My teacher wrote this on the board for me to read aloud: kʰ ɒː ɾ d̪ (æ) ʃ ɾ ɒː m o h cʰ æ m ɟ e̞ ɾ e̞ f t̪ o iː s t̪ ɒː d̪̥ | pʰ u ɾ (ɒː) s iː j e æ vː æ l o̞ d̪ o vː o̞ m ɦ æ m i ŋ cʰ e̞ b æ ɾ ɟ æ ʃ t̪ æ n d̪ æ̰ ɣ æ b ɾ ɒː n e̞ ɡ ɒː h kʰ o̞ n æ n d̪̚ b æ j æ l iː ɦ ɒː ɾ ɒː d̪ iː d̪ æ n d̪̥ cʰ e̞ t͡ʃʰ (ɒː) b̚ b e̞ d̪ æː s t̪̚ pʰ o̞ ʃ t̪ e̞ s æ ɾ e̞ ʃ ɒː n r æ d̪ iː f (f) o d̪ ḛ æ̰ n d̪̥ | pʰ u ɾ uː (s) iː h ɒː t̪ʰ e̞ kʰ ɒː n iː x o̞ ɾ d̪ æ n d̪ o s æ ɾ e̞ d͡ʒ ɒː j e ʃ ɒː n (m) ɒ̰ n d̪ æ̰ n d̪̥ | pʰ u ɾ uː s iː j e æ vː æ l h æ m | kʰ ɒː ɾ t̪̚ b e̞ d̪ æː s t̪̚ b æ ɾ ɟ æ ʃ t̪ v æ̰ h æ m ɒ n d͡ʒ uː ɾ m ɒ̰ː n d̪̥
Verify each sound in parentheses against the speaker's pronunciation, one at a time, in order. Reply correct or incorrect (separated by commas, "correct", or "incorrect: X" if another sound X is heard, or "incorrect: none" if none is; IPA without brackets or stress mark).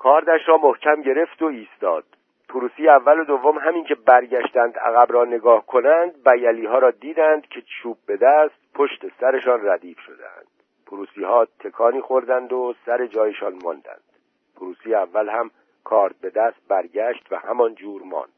correct, incorrect: uː, incorrect: uː, incorrect: ʃ, correct, correct